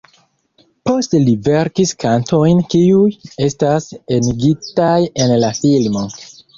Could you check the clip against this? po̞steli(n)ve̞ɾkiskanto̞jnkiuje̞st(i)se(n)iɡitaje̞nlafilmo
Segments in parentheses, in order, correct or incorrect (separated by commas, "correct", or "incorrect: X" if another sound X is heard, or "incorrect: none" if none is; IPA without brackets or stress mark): incorrect: none, incorrect: a, correct